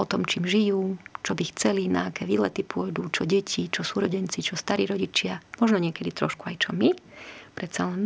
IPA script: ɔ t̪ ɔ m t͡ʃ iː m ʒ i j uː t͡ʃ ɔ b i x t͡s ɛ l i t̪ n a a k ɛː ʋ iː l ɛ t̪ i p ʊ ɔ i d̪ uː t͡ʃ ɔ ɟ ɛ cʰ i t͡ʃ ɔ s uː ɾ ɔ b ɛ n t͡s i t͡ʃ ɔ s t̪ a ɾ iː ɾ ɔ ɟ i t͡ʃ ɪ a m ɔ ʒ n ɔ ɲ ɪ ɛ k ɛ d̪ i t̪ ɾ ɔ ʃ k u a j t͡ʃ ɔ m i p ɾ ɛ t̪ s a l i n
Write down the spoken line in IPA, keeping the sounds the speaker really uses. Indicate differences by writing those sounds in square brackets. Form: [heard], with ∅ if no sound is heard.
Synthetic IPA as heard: ɔ t̪ ɔ m t͡ʃ iː m ʒ i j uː t͡ʃ ɔ b i x t͡s ɛ l i [∅] n a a k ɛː ʋ iː l ɛ t̪ i p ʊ ɔ [j] d̪ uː t͡ʃ ɔ ɟ ɛ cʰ i t͡ʃ ɔ s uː ɾ ɔ [ɟ] ɛ n t͡s i t͡ʃ ɔ s t̪ a ɾ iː ɾ ɔ ɟ i t͡ʃ ɪ a m ɔ ʒ n ɔ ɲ ɪ ɛ k ɛ d̪ i t̪ ɾ ɔ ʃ k u a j t͡ʃ ɔ m i p ɾ ɛ t̪ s a l [ɛ] n